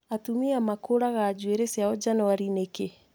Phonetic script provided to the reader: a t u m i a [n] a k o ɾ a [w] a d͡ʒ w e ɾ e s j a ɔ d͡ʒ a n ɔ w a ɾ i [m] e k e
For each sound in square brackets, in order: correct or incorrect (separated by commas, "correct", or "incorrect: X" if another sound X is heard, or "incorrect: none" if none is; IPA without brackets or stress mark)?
incorrect: m, incorrect: ɣ, incorrect: n